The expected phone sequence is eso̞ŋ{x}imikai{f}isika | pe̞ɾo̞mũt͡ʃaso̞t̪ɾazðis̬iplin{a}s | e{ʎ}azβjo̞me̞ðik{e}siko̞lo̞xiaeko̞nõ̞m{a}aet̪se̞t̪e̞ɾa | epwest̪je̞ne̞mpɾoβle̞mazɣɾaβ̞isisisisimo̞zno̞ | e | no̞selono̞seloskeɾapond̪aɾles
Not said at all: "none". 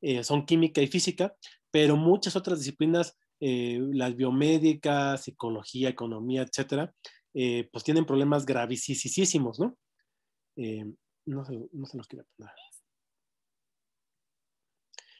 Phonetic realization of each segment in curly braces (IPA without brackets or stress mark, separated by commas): k, f, a, l, a, i